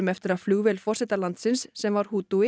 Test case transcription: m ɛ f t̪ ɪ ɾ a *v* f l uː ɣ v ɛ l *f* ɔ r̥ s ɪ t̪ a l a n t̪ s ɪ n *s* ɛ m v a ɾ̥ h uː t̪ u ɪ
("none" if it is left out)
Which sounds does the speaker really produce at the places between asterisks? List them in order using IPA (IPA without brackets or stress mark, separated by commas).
ð, f, sː